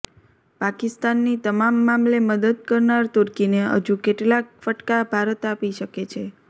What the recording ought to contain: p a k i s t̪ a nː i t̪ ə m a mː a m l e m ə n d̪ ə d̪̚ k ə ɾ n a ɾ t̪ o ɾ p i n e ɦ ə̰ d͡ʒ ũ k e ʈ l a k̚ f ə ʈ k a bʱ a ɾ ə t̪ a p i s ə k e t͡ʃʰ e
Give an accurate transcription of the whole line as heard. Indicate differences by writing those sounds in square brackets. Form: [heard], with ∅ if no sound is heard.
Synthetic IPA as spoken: p a k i s t̪ a nː i t̪ ə m a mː a m l e m ə [∅] d̪ ə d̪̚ k ə ɾ n a ɾ t̪ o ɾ [k] i n e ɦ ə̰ d͡ʒ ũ k e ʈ l a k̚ f ə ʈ k a bʱ a ɾ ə t̪ a p i [ʃ] ə k e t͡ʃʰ e